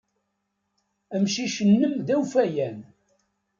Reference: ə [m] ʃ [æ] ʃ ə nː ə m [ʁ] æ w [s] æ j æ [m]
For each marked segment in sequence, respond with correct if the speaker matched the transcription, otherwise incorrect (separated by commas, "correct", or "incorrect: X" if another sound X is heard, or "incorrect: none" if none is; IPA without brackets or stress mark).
correct, incorrect: i, incorrect: ð, incorrect: f, incorrect: n